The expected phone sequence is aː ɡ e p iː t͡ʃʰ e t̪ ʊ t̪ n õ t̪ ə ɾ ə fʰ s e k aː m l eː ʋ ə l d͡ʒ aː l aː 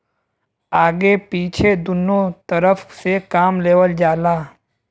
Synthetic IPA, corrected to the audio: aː ɡ e p iː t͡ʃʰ e d̪ ʊ n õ t̪ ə ɾ ə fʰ s e k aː m l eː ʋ ə l d͡ʒ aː l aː